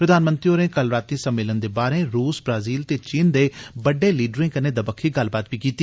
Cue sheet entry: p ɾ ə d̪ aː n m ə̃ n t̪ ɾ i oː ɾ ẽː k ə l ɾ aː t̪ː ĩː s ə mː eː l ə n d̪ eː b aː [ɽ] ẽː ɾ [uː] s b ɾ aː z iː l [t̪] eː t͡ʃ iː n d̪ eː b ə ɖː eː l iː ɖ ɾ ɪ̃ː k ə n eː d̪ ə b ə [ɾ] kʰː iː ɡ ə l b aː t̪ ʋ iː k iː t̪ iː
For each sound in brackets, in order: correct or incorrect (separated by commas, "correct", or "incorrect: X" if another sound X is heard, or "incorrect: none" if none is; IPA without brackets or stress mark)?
incorrect: ɾ, correct, correct, incorrect: none